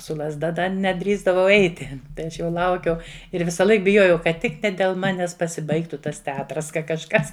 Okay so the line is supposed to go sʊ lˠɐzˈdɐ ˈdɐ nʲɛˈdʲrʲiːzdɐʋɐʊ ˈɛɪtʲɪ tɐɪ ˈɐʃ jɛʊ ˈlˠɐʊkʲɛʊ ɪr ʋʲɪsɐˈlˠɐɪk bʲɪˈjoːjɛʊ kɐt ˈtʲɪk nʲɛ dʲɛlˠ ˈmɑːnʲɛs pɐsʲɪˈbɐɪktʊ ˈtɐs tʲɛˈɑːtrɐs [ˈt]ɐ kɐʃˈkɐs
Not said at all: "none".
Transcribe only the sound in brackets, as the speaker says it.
k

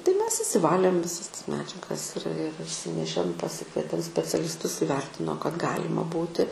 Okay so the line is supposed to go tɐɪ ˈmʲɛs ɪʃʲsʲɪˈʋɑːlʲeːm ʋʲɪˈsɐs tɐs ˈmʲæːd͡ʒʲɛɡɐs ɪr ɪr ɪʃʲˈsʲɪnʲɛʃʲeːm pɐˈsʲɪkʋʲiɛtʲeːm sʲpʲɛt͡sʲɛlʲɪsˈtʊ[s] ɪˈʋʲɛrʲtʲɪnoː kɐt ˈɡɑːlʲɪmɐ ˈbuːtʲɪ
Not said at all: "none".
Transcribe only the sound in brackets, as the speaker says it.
s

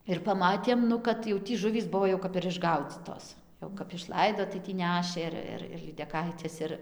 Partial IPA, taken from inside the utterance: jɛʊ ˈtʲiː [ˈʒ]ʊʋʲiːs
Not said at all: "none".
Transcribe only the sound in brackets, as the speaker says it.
ʒ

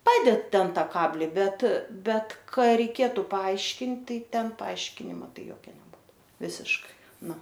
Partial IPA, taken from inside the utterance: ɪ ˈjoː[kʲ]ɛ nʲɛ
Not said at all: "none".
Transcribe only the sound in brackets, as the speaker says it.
kʲ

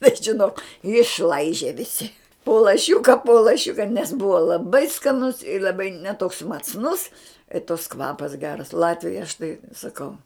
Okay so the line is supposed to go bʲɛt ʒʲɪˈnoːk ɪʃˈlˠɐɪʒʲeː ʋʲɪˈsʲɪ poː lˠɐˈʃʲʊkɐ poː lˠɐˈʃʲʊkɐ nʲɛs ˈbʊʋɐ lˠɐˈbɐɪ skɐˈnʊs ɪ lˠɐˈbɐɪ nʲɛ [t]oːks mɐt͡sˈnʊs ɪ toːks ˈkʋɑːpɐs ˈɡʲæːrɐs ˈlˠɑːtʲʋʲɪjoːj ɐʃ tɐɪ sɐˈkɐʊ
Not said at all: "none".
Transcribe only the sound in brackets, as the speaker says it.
t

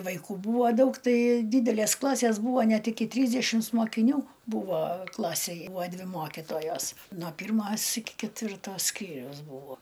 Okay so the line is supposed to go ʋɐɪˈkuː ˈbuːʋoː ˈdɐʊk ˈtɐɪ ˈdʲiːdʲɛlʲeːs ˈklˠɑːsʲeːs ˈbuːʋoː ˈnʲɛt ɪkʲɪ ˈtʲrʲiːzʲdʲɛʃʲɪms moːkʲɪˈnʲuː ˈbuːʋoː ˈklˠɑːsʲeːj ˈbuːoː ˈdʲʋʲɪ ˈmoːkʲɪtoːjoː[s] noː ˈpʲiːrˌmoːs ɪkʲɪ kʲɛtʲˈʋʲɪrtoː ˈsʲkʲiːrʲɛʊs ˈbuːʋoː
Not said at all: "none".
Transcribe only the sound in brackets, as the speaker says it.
s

